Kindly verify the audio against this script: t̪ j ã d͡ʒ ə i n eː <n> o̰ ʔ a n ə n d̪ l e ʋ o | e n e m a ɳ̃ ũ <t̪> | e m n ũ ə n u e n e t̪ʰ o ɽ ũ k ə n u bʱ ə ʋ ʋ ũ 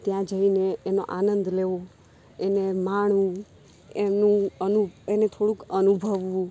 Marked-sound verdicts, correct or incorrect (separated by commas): correct, incorrect